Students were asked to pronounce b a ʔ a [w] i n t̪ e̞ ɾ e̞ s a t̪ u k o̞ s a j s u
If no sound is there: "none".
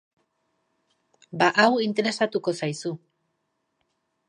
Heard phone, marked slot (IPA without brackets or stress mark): w